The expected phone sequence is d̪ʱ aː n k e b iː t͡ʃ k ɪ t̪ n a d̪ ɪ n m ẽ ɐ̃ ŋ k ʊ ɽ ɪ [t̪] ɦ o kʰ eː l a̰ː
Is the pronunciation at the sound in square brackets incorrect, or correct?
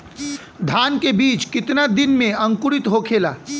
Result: correct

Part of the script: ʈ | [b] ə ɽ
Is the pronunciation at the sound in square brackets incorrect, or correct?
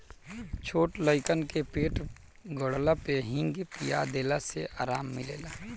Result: incorrect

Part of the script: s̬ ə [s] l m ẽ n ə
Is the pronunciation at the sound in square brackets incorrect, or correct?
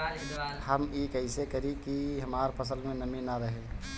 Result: incorrect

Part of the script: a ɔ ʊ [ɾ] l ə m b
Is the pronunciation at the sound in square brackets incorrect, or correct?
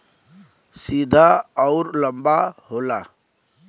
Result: correct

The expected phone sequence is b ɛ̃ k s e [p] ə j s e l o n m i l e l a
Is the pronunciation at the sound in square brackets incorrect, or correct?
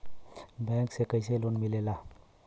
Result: incorrect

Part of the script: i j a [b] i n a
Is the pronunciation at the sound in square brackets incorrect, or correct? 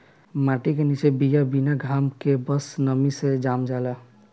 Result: correct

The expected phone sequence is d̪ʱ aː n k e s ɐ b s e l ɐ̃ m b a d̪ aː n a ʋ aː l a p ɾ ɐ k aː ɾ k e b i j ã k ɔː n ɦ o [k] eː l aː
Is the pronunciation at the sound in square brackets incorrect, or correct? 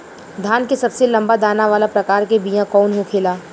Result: incorrect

